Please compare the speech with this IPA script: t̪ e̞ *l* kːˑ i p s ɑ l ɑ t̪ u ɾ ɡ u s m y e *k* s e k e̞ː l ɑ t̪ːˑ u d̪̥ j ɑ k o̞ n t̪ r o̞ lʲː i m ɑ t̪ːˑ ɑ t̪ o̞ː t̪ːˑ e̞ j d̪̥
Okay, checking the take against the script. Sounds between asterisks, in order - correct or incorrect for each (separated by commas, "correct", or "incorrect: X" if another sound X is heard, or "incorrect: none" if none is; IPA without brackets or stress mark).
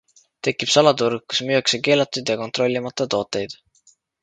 incorrect: none, correct